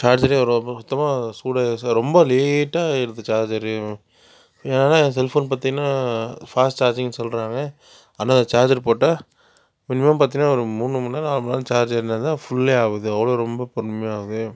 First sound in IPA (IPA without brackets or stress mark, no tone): t͡ʃ